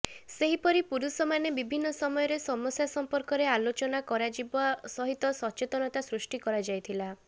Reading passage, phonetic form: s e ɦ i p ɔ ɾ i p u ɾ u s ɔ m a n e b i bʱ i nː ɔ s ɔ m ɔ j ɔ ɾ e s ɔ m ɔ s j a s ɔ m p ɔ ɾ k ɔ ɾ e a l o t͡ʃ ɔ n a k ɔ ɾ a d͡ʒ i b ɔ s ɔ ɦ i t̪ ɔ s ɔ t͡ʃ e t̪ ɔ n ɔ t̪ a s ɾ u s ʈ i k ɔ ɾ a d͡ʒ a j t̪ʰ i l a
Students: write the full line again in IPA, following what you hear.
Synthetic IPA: s e ɦ i p ɔ ɾ i p u ɾ u s ɔ m a n e b i bʱ i nː ɔ s ɔ m ɔ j ɔ ɾ e s ɔ m ɔ s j a s ɔ m p ɔ ɾ k ɔ ɾ e a l o t͡ʃ ɔ n a k ɔ ɾ a d͡ʒ i b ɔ s ɔ ɦ i t̪ ɔ s ɔ t͡ʃ e t̪ ɔ n ɔ t̪ a s ɾ u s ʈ i k ɔ ɾ a d͡ʒ a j t̪ʰ i l a

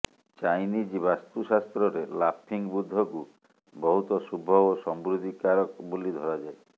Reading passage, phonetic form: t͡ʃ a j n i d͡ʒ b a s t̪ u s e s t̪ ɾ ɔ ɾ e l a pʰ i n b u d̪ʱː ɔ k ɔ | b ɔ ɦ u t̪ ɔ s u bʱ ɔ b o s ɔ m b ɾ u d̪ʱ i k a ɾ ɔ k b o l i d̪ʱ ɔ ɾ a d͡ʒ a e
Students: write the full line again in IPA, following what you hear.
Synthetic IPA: t͡ʃ a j n i d͡ʒ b a s t̪ u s a s t̪ ɾ ɔ ɾ e l a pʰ i ŋ b u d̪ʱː ɔ k u | b ɔ ɦ u t̪ ɔ s u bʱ ɔ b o s ɔ m b ɾ u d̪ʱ i k a ɾ ɔ k b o l i d̪ʱ ɔ ɾ a d͡ʒ a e

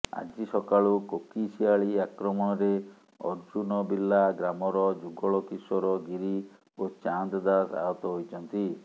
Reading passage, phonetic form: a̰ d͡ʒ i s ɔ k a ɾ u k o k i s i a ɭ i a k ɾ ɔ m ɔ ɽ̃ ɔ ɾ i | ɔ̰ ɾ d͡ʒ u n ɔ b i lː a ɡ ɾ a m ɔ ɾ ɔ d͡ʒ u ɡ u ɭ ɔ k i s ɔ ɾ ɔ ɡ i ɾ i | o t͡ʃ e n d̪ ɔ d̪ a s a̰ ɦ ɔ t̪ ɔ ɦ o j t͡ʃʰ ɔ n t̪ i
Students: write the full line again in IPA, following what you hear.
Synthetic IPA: a̰ d͡ʒ i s ɔ k a ɭ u k o k i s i a ɭ i a k ɾ ɔ m ɔ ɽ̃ ɔ ɾ e | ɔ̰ ɾ d͡ʒ u n ɔ b i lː a ɡ ɾ a m ɔ ɾ ɔ d͡ʒ u ɡ ɔ ɭ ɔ k i s ɔ ɾ ɔ ɡ i ɾ i | o t͡ʃ a n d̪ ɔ d̪ a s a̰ ɦ ɔ t̪ ɔ ɦ o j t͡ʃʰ ɔ n t̪ i

